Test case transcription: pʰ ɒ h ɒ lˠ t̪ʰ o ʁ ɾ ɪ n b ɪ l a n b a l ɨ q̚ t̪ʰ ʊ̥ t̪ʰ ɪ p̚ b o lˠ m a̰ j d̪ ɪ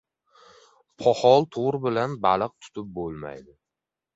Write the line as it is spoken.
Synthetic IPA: pʰ ɒ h ɒ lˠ t̪ʰ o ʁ ɾ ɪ b ɪ l a n b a l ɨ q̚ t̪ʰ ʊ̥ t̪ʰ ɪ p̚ b o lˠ m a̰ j d̪ ɪ

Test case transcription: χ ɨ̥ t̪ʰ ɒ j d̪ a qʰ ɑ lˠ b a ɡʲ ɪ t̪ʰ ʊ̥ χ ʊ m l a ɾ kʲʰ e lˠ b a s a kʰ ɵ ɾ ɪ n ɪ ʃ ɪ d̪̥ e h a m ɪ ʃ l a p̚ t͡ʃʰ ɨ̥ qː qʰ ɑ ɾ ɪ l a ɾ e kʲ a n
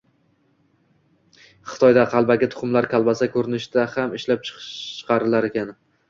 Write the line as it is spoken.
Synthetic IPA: χ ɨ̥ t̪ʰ ɒ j d̪ a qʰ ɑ lˠ b a ɡʲ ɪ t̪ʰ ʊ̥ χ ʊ m l a ɾ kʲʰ a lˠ b a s a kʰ ɵ ɾ ɪ n ɪ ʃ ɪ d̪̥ a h a m ɪ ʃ l a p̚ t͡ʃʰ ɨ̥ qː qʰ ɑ ɾ ɪ l a ɾ e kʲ a n

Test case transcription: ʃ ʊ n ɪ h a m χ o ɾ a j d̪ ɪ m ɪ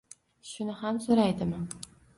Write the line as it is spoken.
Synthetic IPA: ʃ ʊ n ɪ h a m s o ɾ a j d̪ ɪ m ɪ

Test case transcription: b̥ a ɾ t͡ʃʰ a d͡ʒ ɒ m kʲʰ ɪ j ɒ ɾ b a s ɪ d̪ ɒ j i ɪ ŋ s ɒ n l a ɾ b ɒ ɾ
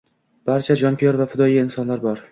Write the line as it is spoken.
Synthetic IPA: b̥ a ɾ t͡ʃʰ a d͡ʒ ɒ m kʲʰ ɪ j ɒ ɾ v a f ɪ d̪ ɒ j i ɪ n s ɒ n l a ɾ b ɒ ɾ

